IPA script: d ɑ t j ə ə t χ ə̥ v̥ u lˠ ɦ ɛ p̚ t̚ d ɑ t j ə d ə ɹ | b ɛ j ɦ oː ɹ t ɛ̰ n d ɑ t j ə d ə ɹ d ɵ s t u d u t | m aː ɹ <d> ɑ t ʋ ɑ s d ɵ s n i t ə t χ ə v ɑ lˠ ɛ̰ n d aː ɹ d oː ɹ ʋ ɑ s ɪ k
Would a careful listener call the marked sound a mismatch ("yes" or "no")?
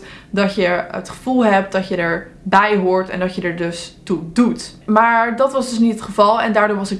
no